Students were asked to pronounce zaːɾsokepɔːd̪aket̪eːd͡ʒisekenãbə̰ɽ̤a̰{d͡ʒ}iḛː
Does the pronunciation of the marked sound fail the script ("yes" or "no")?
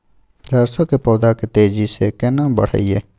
yes